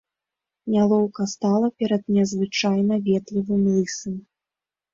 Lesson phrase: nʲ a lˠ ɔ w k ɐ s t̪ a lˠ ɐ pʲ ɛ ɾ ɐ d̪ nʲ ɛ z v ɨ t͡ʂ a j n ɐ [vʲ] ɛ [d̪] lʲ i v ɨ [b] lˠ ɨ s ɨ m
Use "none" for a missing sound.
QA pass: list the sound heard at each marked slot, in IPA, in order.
vʲ, t̪, m

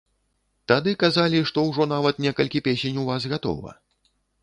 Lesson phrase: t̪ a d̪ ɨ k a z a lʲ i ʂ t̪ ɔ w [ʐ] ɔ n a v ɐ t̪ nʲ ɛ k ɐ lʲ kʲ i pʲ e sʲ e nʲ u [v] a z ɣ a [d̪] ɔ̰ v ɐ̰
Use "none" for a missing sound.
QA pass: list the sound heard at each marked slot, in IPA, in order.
ʐ, v, t̪

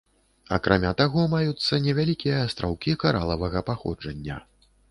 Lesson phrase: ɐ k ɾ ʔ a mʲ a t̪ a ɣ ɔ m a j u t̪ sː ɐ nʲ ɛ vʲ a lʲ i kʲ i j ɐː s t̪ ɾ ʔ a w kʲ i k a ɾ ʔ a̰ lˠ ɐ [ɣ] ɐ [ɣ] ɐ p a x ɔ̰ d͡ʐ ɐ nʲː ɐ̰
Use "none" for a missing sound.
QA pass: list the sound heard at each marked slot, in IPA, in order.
v, ɣ

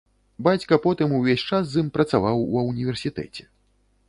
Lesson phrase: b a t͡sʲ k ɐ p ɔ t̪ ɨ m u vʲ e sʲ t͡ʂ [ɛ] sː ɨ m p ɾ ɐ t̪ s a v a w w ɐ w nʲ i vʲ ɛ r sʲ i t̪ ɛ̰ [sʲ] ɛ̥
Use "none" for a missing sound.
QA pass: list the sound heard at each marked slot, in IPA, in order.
a, t͡sʲ

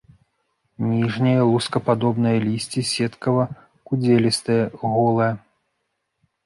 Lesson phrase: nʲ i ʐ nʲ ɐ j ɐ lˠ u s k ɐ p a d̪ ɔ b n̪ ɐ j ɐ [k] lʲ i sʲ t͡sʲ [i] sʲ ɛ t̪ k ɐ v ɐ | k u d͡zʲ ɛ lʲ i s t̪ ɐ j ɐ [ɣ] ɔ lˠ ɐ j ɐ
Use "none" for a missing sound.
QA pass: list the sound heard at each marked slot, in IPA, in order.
none, i, ɣ

